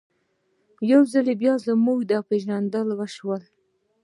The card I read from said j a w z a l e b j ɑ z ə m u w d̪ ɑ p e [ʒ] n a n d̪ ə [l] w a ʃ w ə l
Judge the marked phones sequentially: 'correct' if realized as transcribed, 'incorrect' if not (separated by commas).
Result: correct, correct